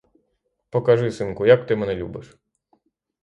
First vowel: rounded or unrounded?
rounded